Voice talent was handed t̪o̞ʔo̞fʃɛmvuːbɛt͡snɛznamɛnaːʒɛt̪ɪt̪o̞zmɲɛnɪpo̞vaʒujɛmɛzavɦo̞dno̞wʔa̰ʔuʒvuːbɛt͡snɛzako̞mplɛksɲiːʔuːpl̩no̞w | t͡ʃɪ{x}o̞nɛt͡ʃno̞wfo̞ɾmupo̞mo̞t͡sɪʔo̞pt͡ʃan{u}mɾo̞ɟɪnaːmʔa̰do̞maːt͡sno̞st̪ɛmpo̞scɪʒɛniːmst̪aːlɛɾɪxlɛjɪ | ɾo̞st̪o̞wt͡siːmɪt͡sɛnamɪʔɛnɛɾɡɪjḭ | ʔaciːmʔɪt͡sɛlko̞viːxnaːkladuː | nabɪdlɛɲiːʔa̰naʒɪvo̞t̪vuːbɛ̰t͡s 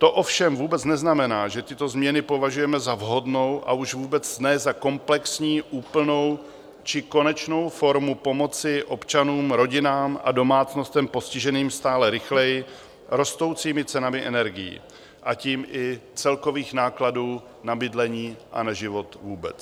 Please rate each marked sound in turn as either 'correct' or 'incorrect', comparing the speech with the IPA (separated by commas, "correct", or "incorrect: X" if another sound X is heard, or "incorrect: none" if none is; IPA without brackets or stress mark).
incorrect: k, incorrect: uː